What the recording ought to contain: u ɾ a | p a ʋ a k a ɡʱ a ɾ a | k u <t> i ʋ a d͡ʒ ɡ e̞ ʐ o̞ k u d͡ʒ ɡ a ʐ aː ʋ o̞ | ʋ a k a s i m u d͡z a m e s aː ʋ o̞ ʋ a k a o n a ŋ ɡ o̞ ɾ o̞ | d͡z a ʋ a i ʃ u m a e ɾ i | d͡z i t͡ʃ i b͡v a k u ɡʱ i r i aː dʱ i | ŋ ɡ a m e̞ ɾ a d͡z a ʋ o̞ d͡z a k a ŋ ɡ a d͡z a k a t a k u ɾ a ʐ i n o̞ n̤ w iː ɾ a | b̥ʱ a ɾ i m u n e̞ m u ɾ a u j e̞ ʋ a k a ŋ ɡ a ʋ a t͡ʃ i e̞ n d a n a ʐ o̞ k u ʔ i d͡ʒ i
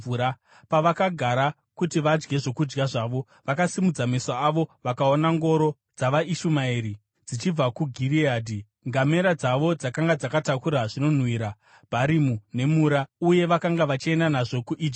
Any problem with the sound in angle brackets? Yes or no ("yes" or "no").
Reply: no